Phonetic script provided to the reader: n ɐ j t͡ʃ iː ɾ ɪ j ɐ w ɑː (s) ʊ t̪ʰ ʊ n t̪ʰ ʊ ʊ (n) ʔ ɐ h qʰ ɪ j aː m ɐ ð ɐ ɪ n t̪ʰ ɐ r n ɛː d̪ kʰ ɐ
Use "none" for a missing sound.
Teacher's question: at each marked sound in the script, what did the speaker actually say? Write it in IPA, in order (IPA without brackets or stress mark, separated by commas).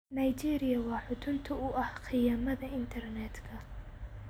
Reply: ħ, none